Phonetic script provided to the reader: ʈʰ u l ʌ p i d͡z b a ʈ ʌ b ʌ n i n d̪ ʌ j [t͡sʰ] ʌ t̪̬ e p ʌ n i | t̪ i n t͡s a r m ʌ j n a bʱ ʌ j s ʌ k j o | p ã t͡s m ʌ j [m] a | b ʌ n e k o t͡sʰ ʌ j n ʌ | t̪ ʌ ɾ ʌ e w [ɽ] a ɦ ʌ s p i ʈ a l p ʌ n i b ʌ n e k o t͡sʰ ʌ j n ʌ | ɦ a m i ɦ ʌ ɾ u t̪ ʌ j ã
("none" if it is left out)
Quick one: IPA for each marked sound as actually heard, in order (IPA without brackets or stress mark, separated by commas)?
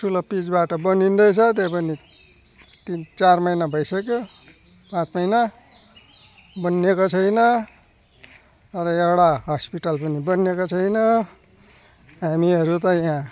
t͡sʰ, n, ɽ